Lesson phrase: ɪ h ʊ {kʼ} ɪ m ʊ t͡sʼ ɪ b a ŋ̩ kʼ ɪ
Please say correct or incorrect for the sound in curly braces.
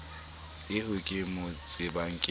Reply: correct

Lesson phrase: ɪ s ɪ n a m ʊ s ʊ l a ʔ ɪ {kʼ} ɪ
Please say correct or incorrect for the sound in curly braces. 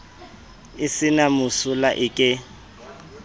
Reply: correct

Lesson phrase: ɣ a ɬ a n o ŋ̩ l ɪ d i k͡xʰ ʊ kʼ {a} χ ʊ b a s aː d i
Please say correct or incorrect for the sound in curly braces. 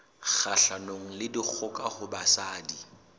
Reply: correct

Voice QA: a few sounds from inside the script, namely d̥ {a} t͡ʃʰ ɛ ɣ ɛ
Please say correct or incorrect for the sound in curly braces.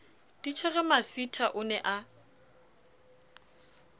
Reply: incorrect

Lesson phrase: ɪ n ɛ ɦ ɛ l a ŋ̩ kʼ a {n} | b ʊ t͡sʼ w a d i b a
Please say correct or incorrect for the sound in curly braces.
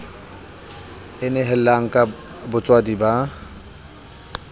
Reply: incorrect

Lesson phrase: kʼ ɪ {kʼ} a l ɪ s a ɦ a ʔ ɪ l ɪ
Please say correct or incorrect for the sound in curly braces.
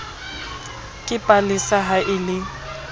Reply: incorrect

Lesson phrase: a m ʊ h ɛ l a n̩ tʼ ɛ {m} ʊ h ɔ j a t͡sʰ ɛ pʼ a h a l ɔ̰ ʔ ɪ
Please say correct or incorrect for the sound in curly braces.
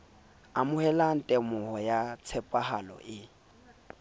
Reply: correct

